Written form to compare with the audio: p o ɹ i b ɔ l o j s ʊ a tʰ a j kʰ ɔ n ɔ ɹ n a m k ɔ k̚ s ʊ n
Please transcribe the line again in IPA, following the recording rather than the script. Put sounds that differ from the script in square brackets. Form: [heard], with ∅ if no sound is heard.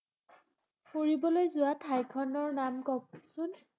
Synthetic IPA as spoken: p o ɹ i b ɔ l o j [z] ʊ a tʰ a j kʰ ɔ n ɔ ɹ n a m k ɔ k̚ s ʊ n

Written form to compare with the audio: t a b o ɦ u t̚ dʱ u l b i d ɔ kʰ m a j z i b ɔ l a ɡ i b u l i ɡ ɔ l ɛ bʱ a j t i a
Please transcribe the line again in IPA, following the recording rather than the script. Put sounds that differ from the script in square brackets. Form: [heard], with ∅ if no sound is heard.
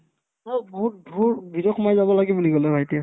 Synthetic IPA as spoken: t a b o ɦ u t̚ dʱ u [ɹ] b i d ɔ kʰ m a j z [a] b ɔ l a ɡ i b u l i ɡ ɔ l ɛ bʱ a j t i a

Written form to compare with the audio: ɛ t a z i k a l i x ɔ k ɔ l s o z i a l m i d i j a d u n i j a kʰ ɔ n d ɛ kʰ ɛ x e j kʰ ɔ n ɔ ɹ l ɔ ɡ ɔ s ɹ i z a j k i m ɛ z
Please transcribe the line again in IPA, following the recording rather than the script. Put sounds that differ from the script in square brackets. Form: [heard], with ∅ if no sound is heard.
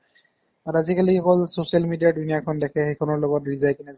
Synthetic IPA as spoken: [a] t a z i k a l i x ɔ k ɔ l s o [s] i a l m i d i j a d u n i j a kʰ ɔ n d ɛ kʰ ɛ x e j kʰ ɔ n ɔ ɹ l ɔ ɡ ɔ [t] ɹ i z a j k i [n] ɛ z

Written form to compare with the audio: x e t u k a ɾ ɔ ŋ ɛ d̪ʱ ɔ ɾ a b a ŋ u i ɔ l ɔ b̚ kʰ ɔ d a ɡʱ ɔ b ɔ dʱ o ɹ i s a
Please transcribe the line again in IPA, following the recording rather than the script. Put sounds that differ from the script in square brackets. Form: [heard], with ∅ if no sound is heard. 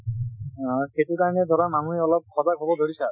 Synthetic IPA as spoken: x e t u k a [ɹ] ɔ [n] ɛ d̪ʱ ɔ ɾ a [m] a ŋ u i ɔ l ɔ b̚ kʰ ɔ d a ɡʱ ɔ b ɔ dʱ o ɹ i s a

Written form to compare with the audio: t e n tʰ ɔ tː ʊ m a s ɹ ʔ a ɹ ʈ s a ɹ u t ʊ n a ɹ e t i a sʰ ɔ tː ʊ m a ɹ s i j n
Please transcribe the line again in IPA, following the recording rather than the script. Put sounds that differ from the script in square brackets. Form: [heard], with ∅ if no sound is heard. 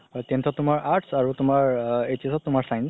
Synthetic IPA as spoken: t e n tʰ ɔ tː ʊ m a [∅] ɹ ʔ a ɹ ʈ s a ɹ u t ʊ [m] a ɹ e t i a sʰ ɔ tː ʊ m a ɹ s [a] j n

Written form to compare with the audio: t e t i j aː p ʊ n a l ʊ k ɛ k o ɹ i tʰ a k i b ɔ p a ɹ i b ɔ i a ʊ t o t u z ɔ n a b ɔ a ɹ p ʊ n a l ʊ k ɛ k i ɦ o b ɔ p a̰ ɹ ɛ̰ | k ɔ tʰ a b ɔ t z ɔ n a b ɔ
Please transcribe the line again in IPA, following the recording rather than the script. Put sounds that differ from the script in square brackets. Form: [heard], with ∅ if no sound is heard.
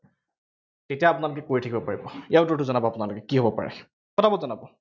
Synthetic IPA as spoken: t e t i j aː p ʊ n a l ʊ k ɛ k o ɹ i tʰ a k i b ɔ p a ɹ i b ɔ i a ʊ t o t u z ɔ n a b ɔ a [∅] p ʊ n a l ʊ k ɛ k i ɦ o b ɔ p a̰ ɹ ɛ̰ | k ɔ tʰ a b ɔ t z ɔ n a b ɔ

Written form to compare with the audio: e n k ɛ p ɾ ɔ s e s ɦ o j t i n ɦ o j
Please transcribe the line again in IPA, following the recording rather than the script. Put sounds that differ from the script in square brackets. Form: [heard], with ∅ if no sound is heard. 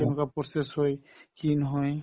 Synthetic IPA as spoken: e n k [a] p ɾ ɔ s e s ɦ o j [k] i n ɦ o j

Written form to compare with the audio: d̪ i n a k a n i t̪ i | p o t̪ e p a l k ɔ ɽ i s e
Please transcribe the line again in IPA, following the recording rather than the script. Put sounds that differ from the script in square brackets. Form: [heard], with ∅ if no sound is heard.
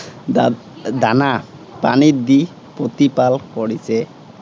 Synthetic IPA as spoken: d̪ [a] n a [p] a n i [d̪] i | p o t̪ [i] p a l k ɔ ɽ i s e

